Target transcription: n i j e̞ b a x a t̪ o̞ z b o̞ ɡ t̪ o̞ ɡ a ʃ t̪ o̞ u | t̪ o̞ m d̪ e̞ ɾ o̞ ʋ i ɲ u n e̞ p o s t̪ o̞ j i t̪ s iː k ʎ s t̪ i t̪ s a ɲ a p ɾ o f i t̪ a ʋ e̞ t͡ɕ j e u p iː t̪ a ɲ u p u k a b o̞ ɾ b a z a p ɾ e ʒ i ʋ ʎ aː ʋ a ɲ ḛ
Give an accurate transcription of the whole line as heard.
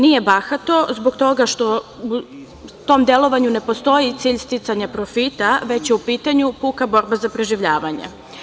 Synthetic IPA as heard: n i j e̞ b a x a t̪ o̞ z b o̞ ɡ t̪ o̞ ɡ a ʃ t̪ o̞ u | t̪ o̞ m d̪ e̞ l o̞ ʋ a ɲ u n e̞ p o s t̪ o̞ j i t̪ s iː ʎ s t̪ i t̪ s a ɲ a p ɾ o f i t̪ a ʋ e̞ t͡ɕ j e u p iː t̪ a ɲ u p u k a b o̞ ɾ b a z a p ɾ e ʒ i ʋ ʎ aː ʋ a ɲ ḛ